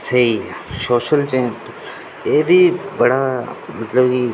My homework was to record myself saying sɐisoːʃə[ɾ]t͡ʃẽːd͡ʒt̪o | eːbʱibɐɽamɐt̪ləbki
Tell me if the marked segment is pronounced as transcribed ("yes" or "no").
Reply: no